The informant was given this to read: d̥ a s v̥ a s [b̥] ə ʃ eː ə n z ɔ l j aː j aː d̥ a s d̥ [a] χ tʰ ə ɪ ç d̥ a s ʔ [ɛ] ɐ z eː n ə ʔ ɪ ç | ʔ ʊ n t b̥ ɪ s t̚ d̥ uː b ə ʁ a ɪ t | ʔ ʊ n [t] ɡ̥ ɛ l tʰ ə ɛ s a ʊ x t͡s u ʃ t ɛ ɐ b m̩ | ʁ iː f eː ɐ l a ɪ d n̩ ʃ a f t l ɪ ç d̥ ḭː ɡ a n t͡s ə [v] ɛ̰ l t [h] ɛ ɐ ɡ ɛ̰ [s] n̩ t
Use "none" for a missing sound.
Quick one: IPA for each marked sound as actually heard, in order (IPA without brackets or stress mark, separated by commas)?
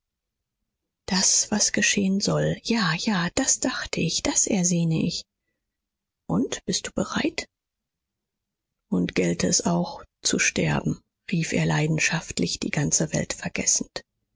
ɡ̥, a, ɛ, t, v, f, s